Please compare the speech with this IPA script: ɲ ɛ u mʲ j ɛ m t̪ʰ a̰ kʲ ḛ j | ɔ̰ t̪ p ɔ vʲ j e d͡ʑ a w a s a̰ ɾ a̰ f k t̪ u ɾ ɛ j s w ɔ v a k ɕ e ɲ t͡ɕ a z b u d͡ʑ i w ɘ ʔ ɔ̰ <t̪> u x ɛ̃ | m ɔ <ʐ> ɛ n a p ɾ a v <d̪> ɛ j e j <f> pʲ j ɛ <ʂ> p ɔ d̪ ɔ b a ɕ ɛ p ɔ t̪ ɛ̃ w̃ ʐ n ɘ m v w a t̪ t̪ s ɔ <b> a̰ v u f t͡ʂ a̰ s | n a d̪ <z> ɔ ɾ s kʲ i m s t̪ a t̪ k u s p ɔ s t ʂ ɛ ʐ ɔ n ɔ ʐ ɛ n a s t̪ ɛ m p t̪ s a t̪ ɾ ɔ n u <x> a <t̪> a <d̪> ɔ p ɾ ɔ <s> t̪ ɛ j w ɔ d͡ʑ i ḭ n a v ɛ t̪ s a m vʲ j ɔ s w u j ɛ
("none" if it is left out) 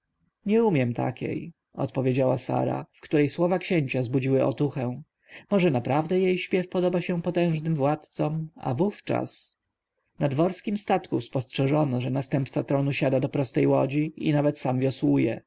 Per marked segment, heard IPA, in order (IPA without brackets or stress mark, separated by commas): t̪, ʐ, d̪, ɕ, f, m, v, ɕ, d̪, d̪, s